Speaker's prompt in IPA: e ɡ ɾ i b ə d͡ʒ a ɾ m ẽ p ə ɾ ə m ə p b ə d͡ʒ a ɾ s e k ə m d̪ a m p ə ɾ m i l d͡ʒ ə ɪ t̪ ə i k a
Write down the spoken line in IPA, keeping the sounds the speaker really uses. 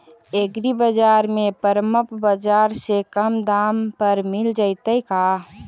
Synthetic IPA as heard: e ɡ ɾ i b ə d͡ʒ a ɾ m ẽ p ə ɾ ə m ə p b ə d͡ʒ a ɾ s e k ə m d̪ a m p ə ɾ m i l d͡ʒ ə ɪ t̪ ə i k a